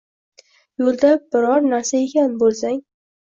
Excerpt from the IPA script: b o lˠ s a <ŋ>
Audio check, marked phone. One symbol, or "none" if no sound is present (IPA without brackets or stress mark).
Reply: ŋ